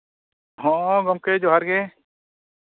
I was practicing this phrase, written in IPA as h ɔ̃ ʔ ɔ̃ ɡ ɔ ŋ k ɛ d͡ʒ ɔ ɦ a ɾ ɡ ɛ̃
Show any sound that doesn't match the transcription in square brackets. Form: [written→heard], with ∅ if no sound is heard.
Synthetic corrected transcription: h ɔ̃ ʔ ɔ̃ ɡ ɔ [ŋ→m] k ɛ d͡ʒ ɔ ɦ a ɾ ɡ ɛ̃